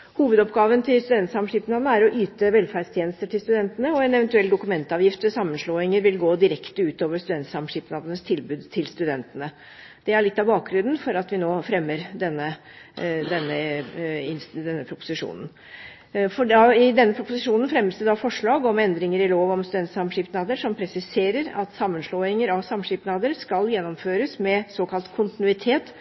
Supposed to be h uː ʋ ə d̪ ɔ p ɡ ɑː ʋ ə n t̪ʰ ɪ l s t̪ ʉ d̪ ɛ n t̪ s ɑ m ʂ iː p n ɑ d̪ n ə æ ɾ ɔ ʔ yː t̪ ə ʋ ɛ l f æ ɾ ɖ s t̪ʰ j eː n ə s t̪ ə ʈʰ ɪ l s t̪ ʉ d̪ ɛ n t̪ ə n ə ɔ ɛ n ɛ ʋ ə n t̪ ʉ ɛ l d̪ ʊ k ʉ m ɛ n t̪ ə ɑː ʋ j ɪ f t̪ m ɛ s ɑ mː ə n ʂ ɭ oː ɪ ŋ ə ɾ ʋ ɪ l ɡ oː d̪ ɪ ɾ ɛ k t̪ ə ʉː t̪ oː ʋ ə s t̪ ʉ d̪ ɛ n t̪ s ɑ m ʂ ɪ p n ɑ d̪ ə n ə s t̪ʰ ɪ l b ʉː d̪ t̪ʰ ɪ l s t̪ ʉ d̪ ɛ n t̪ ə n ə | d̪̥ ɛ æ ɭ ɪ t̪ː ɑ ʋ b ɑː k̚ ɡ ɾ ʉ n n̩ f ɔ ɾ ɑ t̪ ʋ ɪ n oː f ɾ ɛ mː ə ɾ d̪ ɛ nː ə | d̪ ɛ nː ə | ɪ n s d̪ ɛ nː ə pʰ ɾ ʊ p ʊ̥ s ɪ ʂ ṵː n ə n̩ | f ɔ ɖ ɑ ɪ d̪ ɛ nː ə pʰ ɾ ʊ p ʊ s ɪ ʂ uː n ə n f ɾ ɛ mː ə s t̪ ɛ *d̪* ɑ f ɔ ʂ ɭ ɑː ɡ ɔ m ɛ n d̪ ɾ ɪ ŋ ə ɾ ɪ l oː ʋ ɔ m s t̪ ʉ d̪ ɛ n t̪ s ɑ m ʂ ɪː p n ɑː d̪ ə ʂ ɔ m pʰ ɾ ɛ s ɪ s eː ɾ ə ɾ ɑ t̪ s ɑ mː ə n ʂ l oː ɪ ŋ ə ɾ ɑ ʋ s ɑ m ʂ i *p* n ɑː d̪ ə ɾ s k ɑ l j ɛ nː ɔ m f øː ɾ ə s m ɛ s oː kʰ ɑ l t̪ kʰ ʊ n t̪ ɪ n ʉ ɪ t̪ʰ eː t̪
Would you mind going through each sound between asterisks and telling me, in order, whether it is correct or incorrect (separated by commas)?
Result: correct, correct